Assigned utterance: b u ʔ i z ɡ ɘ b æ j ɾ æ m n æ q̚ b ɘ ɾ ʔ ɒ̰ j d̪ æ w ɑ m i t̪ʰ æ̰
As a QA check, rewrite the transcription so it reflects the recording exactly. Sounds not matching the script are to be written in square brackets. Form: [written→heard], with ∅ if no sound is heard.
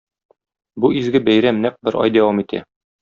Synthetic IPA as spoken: b u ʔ i z ɡ ɘ b æ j ɾ æ m n æ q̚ b ɘ ɾ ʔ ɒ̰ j d̪ æ w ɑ m i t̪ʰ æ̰